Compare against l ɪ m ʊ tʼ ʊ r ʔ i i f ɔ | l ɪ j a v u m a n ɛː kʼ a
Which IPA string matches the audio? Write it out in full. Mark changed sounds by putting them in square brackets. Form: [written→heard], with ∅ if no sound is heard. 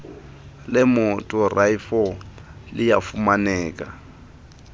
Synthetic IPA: l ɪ m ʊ tʼ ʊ r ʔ [i→a] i f ɔ | l ɪ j a [v→f] u m a n ɛː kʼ a